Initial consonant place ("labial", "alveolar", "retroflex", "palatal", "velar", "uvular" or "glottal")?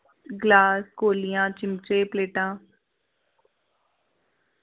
velar